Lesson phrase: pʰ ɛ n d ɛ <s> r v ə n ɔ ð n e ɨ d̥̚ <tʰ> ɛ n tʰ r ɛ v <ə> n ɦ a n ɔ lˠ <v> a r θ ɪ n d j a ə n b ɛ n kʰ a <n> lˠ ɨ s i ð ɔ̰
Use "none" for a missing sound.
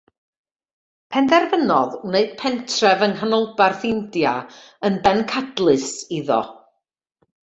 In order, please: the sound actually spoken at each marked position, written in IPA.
none, pʰ, ə, b, d

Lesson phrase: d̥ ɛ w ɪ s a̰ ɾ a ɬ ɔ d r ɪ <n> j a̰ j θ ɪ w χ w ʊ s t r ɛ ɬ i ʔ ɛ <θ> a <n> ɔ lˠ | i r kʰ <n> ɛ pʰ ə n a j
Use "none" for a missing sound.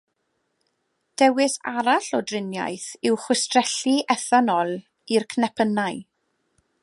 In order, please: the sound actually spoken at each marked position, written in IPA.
n, θ, n, n

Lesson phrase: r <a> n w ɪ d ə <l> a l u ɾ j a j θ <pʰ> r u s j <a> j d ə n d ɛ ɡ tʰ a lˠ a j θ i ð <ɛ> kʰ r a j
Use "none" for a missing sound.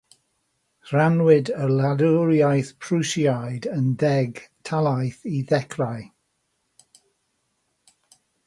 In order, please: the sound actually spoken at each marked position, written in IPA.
a, l, pʰ, a, ɛ

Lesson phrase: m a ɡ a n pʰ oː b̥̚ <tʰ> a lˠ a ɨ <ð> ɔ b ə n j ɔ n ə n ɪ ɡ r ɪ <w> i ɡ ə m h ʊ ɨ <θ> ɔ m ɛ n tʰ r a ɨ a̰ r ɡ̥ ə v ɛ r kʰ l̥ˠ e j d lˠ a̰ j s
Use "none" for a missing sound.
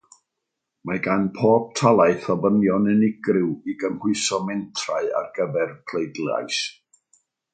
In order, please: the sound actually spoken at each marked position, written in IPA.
tʰ, θ, w, s

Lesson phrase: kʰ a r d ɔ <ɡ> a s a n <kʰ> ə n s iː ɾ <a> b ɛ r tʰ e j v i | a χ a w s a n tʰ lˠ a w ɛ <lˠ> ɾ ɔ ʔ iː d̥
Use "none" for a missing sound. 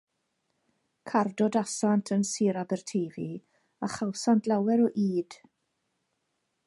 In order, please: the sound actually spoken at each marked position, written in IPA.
d, tʰ, a, none

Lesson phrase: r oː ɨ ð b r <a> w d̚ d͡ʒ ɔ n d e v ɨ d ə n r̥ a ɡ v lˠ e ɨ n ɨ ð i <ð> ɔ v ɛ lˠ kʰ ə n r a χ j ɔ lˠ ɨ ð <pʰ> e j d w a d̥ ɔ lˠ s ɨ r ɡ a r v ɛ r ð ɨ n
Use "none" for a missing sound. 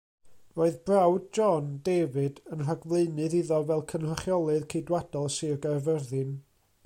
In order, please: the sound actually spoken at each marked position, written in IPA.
a, ð, kʰ

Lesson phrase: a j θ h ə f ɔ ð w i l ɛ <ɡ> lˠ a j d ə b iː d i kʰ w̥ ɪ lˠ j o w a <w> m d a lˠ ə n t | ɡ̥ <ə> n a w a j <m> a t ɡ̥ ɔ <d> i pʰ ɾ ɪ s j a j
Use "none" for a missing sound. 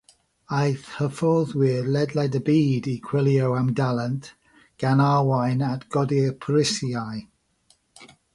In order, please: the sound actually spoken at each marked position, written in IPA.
d, none, a, n, d

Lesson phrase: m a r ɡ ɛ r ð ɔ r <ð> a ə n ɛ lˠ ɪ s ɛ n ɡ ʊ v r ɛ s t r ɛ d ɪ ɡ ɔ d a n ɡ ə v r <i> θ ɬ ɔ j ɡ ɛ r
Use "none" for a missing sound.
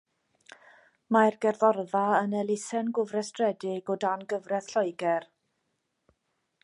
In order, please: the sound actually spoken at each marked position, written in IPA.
ð, ɛ

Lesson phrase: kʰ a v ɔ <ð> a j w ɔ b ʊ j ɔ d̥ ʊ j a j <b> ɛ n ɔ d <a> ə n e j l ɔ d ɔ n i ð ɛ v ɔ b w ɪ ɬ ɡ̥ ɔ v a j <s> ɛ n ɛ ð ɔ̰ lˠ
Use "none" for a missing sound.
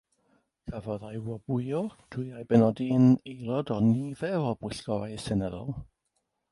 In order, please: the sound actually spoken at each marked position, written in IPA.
ð, b, i, s

